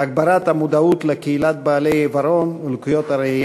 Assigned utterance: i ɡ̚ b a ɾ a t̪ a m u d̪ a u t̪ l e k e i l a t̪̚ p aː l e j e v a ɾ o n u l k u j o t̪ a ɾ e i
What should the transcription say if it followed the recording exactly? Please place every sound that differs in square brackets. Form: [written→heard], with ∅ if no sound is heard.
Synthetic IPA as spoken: [i→a] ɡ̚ b a ɾ a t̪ a m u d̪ a u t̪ l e k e i l a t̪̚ [p→b] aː l e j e v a ɾ o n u l k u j o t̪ a ɾ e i

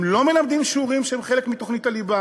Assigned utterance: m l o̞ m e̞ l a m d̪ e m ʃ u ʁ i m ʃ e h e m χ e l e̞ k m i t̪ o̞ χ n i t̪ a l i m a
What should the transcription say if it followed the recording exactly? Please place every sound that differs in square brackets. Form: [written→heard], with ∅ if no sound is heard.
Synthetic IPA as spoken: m l o̞ m e̞ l a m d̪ [e→i] m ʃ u ʁ i m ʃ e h e m χ e l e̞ k m i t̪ o̞ χ n i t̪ a l i [m→b] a

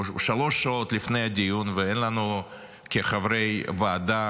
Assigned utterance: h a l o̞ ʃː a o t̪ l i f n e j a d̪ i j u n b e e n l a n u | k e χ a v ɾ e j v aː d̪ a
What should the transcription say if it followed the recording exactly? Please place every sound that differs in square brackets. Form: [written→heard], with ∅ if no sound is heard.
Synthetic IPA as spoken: [h→ʃ] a l o̞ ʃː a o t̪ l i f n e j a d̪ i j u n [b→v] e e n l a n u | k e χ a v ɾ e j v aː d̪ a

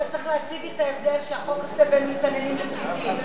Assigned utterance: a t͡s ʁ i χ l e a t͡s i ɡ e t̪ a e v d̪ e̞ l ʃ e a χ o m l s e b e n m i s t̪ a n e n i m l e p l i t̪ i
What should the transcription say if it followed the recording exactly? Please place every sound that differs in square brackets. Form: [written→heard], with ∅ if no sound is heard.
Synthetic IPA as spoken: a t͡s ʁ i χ l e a t͡s i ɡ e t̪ a e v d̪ e̞ l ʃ e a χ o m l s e b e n m i s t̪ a n e n i m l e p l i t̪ i

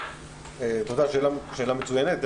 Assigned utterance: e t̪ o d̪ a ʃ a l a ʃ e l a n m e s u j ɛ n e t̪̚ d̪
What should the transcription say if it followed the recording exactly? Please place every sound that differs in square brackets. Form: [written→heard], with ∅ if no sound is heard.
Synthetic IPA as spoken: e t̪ o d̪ a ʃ [a→e] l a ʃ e l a [n→∅] m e [s→t͡s] u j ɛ n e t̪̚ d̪

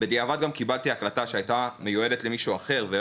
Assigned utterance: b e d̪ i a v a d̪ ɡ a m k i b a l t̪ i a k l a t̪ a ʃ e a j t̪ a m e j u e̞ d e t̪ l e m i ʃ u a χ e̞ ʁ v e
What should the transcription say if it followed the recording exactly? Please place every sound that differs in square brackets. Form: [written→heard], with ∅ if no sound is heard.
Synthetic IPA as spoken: b e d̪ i a v a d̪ ɡ a m k i b a l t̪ i a k l a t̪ a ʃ e a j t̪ a m e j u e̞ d e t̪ l e m i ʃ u a χ e̞ ʁ v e

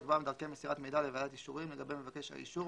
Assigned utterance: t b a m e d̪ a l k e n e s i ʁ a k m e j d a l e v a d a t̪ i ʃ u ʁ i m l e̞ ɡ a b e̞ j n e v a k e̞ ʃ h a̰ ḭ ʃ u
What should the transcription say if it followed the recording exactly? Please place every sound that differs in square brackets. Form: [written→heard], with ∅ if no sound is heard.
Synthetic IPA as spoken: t b a m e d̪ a l k e [n→m] e s i ʁ a [k→t] m e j d a l e v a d a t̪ i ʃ u ʁ i m l e̞ ɡ a b e̞ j [n→m] e v a k e̞ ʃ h a̰ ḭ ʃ u

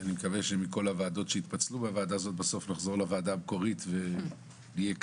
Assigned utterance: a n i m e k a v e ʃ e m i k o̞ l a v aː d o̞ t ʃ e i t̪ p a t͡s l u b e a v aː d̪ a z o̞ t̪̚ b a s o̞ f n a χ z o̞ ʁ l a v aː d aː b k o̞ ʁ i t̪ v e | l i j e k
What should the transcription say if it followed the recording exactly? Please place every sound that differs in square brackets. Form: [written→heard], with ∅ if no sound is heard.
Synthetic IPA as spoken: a n i m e k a v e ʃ e m i k o̞ l a v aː d o̞ t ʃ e i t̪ p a t͡s l u b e a v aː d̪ a z o̞ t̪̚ b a s o̞ f n a χ z o̞ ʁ l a v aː d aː b k o̞ ʁ i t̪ v e | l i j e k

